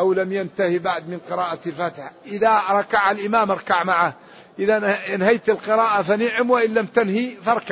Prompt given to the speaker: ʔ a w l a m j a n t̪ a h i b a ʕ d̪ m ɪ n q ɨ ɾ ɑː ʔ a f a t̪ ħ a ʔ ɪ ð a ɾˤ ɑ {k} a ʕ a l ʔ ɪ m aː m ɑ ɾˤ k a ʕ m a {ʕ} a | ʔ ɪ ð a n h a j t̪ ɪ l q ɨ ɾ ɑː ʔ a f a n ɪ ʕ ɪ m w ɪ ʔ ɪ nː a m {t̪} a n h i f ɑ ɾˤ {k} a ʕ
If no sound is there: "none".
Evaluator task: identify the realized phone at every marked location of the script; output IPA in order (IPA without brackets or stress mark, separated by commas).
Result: k, ʕ, t̪, k